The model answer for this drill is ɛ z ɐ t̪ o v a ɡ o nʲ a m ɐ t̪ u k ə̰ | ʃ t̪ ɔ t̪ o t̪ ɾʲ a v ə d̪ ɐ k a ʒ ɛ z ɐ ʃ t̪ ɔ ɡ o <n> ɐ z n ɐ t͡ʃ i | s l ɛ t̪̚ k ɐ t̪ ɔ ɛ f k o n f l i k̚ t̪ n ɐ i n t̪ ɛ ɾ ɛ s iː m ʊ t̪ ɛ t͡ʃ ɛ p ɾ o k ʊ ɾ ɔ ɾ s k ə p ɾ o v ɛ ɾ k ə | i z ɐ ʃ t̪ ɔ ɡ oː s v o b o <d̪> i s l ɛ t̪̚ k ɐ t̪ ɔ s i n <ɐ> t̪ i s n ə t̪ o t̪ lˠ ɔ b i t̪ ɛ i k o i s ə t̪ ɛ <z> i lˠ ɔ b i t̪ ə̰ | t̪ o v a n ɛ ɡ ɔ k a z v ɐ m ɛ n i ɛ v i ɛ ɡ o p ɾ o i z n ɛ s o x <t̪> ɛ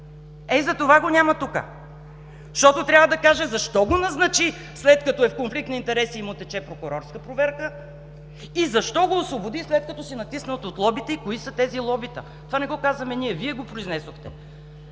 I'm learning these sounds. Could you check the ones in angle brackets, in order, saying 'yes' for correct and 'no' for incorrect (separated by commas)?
yes, yes, yes, yes, yes